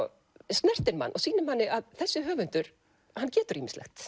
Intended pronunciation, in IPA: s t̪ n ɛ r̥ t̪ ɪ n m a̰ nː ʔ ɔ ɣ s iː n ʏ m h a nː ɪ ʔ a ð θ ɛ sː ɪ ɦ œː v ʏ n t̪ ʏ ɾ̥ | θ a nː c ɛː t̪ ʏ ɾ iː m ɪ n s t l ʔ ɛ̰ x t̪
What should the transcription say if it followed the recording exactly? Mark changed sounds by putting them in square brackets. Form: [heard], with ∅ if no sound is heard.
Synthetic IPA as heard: s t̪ n ɛ r̥ t̪ ɪ n m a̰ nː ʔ ɔ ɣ s iː n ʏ m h a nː ɪ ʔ a ð θ ɛ sː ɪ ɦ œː v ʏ n t̪ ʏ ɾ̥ | [h] a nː c ɛː t̪ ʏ ɾ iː m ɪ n s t l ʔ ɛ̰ x t̪